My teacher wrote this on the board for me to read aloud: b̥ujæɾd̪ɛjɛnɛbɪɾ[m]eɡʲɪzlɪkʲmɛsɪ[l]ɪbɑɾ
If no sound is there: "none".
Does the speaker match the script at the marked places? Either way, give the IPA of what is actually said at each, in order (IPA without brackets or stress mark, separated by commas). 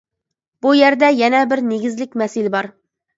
n, l